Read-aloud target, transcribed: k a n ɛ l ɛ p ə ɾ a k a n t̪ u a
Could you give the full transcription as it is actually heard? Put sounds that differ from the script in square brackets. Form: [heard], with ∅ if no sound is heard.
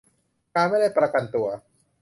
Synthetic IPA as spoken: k a [m] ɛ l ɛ p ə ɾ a k a n t̪ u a